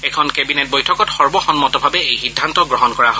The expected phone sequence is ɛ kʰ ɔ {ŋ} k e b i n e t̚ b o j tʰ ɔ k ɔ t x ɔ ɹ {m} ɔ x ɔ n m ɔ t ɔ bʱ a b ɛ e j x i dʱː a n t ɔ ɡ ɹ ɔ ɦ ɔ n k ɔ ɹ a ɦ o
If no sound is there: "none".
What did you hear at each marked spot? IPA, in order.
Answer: n, b

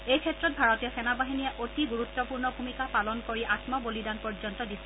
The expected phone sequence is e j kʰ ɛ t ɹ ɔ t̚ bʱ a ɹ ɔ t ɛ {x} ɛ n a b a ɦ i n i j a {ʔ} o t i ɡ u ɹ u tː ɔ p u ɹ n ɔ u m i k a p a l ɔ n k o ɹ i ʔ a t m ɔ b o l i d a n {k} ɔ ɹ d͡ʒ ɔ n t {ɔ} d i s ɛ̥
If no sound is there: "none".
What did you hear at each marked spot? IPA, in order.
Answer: s, ʔ, p, ɔ

